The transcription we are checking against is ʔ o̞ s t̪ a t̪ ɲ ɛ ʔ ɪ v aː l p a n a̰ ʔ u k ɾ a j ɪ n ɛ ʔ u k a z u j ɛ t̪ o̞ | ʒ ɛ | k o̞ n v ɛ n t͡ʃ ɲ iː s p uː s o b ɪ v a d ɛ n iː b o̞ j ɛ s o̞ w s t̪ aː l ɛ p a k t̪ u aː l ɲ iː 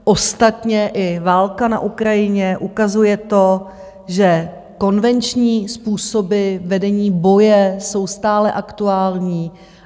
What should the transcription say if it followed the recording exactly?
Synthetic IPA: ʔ o̞ s t̪ a t̪ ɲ ɛ ʔ ɪ v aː l k a n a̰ ʔ u k ɾ a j ɪ ɲ ɛ ʔ u k a z u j ɛ t̪ o̞ | ʒ ɛ | k o̞ n v ɛ n t͡ʃ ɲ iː s p uː s o b ɪ v ɛ d ɛ ɲ iː b o̞ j ɛ s o̞ w s t̪ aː l ɛ ʔ a k t̪ u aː l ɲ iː